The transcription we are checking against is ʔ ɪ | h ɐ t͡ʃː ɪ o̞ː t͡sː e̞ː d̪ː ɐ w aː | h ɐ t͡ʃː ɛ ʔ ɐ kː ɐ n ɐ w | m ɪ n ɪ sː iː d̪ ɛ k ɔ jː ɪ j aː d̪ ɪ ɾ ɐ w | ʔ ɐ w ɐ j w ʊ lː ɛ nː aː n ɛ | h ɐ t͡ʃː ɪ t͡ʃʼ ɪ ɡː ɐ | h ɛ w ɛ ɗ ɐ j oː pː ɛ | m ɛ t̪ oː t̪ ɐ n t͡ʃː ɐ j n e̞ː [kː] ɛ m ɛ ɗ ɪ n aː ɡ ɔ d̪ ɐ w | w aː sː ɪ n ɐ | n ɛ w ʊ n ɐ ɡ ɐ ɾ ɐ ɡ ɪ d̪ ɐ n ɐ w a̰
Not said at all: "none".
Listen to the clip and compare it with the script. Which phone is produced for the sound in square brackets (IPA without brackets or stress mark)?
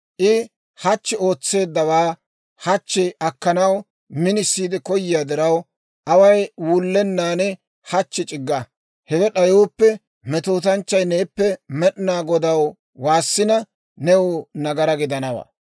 pː